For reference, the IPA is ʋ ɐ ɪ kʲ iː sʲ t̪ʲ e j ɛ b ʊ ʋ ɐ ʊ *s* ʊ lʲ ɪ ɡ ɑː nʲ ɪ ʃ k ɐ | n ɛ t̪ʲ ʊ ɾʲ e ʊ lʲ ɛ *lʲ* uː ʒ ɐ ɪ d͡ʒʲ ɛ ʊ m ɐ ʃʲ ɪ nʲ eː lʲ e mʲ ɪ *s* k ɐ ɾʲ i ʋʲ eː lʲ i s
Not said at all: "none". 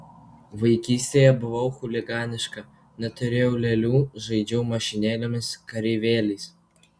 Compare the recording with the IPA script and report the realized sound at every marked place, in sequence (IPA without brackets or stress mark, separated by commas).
x, lʲ, s